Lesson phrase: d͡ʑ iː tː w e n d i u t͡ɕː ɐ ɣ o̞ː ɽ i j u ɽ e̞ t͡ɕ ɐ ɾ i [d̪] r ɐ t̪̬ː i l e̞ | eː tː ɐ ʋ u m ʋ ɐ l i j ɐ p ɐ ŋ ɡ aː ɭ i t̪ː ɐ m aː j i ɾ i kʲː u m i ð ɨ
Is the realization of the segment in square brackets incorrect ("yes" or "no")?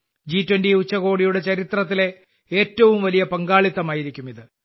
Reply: yes